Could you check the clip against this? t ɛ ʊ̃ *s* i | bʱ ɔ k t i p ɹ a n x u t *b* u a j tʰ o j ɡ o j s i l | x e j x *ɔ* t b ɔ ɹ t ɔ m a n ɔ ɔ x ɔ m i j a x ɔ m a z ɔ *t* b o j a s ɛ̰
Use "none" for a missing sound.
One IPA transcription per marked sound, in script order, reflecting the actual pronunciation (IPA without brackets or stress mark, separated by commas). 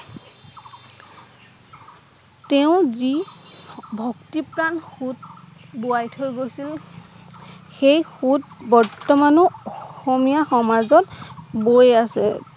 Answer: z, b, u, t